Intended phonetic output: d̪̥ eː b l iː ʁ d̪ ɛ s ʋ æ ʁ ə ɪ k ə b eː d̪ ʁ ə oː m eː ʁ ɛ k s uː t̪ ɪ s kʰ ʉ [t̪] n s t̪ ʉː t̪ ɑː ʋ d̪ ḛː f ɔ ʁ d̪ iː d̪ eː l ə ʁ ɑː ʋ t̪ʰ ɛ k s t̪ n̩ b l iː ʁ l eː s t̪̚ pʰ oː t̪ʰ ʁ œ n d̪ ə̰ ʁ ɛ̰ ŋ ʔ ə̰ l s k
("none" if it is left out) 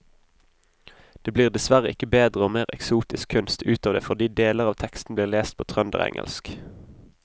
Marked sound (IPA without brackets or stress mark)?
none